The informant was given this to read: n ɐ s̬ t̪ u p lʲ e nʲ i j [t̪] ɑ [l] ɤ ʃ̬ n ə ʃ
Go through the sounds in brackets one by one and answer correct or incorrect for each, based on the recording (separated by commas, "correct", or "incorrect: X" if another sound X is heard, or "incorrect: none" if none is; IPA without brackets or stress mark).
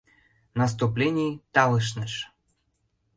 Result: correct, correct